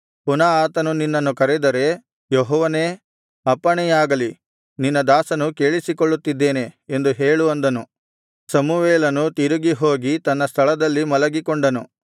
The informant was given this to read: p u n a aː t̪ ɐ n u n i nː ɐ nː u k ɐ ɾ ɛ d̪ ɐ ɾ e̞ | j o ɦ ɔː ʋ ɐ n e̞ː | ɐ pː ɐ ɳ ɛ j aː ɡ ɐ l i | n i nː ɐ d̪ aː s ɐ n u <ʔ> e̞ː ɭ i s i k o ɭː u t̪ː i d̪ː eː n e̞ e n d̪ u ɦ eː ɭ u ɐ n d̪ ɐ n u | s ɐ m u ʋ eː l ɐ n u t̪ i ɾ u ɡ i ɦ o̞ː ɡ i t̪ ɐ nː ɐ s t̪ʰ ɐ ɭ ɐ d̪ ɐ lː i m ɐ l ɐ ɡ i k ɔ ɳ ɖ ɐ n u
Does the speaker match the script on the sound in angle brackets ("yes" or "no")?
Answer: no